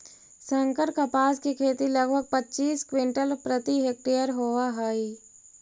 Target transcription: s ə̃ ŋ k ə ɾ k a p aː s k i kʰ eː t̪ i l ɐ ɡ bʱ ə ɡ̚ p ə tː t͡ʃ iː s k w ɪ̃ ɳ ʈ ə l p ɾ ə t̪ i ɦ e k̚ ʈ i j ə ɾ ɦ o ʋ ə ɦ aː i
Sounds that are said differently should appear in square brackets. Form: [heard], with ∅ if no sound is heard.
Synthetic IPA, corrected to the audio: s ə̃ ŋ k ə ɾ k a p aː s k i kʰ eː t̪ i l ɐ ɡ bʱ ə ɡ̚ p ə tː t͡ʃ iː s k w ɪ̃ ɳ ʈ ə l p ɾ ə t̪ i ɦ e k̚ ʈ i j ə ɾ ɦ o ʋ [a] ɦ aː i